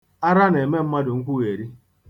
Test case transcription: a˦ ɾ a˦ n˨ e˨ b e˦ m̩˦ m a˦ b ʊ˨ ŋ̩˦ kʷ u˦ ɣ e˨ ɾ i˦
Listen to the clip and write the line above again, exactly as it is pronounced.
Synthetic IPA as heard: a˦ ɾ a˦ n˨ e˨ m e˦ m̩˦ m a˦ d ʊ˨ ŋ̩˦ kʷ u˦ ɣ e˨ ɾ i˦